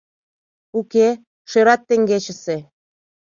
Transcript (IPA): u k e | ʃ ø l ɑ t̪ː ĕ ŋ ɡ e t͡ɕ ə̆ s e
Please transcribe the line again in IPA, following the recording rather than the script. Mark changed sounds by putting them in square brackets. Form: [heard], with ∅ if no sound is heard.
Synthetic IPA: u k e | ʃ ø [ɾ] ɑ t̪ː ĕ ŋ ɡ e t͡ɕ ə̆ s e